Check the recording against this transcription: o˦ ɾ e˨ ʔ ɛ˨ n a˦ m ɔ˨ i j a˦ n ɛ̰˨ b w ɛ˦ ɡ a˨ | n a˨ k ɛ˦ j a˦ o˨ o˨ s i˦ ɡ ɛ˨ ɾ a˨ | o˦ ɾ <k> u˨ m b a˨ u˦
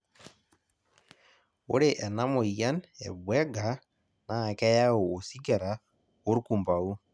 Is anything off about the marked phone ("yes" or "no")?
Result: no